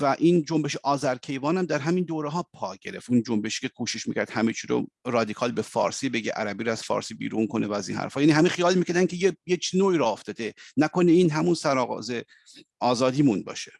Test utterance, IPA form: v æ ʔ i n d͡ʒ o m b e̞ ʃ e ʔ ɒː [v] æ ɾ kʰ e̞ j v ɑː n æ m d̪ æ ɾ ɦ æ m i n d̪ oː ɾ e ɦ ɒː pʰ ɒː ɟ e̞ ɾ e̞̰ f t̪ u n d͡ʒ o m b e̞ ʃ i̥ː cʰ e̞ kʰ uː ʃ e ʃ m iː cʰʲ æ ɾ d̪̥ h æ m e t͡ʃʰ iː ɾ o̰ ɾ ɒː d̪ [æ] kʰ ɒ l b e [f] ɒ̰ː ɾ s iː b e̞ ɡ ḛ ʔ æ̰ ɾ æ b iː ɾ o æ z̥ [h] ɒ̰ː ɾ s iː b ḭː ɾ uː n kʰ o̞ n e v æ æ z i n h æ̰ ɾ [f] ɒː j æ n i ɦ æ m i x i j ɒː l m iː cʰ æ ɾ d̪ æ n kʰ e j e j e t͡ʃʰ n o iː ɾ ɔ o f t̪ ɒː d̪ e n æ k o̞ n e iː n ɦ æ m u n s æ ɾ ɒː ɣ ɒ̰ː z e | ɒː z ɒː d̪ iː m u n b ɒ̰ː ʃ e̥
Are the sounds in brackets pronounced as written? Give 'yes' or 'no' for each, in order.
no, no, yes, no, yes

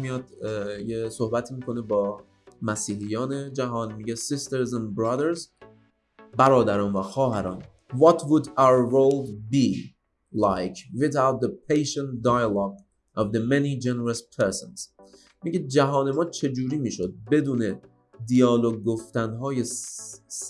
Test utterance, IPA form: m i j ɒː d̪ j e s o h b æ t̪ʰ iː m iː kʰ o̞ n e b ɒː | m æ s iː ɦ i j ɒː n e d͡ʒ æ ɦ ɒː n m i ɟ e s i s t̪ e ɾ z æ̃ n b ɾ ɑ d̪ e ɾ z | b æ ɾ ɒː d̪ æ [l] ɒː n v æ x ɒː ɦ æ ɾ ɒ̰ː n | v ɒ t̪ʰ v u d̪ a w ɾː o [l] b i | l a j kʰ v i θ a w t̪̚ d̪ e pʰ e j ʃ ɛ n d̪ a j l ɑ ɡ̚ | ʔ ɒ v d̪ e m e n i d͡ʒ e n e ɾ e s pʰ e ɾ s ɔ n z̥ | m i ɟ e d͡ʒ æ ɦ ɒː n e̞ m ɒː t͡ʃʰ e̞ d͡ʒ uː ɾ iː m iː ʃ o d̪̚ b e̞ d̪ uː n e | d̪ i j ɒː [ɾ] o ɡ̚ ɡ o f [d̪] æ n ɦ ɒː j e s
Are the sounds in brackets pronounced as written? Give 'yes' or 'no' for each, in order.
no, yes, no, no

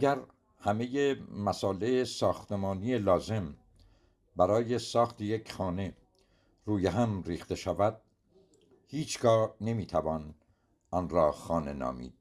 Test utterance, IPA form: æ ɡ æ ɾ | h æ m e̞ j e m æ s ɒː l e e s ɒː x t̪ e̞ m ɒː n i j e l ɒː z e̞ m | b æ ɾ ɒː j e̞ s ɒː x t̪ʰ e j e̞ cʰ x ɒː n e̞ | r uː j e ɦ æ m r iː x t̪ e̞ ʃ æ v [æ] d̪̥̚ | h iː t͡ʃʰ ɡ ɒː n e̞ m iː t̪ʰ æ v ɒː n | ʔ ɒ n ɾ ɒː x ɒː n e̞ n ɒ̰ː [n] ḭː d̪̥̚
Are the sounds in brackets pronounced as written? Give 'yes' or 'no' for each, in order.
yes, no

